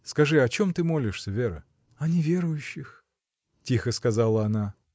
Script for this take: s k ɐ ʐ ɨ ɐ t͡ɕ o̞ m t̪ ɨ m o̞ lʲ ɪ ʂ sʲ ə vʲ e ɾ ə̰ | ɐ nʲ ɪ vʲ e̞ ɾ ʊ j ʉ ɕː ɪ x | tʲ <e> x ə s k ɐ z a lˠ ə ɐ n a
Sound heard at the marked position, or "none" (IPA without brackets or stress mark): i